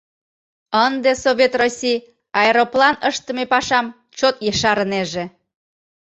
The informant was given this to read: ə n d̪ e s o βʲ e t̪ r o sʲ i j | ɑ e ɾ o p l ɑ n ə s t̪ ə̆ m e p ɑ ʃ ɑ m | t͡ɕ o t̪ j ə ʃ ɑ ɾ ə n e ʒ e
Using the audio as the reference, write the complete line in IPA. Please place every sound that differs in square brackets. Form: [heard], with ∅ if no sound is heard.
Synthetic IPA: ə n d̪ e s o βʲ e t̪ r o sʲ i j | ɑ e ɾ o p l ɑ n ə [ʃ] t̪ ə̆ m e p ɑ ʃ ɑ m | t͡ɕ o t̪ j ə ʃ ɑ ɾ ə n e ʒ e